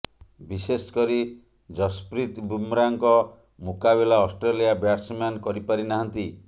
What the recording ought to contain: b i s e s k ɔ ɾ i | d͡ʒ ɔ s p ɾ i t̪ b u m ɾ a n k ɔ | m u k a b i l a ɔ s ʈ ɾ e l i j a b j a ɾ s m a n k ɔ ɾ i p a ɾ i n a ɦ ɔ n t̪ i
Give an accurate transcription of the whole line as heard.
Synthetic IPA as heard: b i s e s k ɔ ɾ i | d͡ʒ ɔ s p ɾ i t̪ b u m ɾ a ŋ k ɔ | m u k a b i l a ɔ s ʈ ɾ e l i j a b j a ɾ s m a n k ɔ ɾ i p a ɾ i n a ɦ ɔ n t̪ i